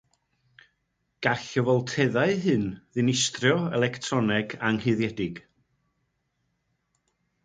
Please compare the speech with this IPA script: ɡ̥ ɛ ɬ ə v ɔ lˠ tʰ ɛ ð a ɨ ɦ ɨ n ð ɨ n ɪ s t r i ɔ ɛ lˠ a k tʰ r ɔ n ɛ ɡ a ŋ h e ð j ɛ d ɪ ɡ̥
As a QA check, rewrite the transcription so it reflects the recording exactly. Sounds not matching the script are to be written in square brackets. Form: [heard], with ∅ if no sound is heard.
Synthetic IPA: ɡ̥ [a] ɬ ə v ɔ lˠ tʰ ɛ ð a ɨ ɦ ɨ n ð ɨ n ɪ s t r [j] ɔ ɛ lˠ [ɛ] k tʰ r ɔ n ɛ ɡ a ŋ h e ð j ɛ d ɪ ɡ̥